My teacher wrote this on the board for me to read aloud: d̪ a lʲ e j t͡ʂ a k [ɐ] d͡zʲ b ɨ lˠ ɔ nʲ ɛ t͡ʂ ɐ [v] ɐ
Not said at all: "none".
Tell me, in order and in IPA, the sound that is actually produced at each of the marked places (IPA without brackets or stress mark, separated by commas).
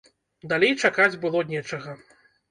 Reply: a, ɣ